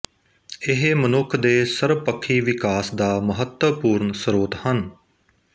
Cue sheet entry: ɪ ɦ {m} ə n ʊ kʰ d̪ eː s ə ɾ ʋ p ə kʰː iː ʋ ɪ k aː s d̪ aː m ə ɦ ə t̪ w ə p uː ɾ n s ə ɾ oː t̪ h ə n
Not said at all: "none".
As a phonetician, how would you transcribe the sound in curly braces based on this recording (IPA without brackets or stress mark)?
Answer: m